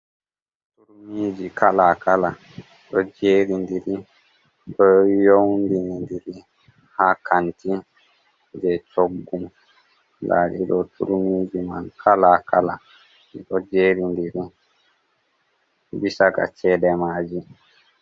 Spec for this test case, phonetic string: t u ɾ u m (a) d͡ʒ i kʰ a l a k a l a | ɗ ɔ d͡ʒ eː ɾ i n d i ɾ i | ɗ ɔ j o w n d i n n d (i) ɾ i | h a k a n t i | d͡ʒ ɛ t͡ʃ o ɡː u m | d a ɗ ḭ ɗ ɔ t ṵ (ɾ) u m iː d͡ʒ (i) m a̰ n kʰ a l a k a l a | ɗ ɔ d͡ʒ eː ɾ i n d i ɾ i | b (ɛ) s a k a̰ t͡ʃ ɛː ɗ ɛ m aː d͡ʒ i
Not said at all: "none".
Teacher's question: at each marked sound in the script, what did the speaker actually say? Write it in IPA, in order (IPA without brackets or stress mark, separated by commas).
i, i, ɾ, i, i